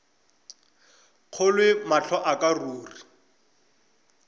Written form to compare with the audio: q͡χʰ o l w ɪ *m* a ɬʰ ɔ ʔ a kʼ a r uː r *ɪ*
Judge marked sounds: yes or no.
yes, no

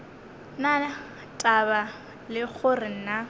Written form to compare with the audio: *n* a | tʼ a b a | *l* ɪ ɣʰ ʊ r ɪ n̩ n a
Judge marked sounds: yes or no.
yes, yes

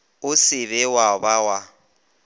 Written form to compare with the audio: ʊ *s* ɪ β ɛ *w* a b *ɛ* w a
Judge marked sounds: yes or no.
yes, yes, no

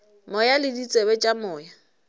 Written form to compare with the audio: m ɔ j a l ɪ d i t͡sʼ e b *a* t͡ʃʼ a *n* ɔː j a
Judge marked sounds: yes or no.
no, no

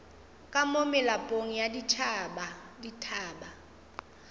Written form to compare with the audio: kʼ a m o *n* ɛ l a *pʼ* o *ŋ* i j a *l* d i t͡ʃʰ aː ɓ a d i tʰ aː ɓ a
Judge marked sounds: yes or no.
no, yes, yes, no

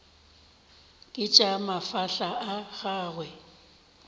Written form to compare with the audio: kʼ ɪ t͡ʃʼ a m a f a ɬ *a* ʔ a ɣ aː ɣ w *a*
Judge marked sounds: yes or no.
yes, no

